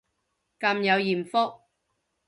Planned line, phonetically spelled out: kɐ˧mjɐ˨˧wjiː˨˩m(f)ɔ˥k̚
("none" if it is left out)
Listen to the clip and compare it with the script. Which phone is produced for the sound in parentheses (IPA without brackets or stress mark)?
f